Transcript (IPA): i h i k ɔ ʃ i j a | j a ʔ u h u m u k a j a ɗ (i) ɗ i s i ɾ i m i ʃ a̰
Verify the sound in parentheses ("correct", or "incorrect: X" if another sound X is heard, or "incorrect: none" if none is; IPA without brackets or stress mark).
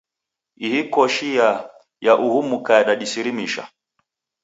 incorrect: a